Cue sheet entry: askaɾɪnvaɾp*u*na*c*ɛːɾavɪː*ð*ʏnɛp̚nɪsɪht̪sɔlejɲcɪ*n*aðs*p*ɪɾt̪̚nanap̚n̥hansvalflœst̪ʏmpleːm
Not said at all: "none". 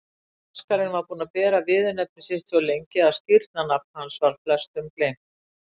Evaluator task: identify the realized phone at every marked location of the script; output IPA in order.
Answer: uː, p, ð, none, c

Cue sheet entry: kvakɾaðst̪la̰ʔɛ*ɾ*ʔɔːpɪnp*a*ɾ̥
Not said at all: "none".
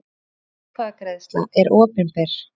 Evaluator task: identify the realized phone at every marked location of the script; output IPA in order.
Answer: ɾ, ɛ

